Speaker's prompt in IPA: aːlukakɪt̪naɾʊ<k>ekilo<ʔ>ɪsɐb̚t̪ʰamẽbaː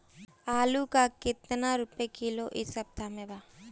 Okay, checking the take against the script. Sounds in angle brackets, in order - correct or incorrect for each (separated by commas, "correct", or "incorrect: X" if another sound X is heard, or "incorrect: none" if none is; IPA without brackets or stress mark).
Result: incorrect: p, correct